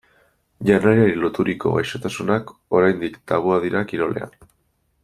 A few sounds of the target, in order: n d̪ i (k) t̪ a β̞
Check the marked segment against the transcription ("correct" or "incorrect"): correct